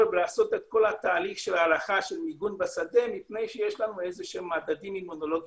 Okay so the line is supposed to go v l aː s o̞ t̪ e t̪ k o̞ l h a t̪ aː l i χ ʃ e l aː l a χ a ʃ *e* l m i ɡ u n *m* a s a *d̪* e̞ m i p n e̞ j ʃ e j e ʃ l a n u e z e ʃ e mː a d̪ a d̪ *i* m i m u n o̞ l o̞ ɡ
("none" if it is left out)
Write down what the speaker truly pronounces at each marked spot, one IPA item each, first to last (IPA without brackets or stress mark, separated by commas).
e, b, d̪, i